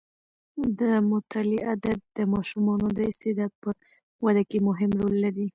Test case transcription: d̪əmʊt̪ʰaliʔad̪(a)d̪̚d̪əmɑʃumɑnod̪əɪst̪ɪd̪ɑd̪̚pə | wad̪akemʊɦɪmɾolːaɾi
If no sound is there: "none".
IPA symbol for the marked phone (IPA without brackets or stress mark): a